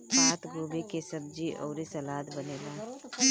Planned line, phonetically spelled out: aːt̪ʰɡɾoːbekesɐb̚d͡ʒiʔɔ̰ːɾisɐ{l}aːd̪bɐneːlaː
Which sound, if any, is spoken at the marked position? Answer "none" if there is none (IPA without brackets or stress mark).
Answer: l